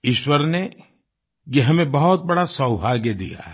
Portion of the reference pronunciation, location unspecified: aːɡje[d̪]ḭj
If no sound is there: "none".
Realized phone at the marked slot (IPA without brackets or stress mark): d̪